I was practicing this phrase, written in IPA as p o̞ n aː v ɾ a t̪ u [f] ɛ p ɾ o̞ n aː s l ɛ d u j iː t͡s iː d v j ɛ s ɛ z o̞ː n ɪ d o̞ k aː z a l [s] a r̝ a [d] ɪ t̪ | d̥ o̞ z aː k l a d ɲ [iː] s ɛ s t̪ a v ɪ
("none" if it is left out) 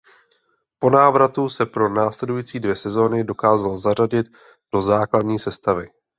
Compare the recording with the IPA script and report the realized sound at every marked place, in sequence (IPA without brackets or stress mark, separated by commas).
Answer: s, z, ɟ, iː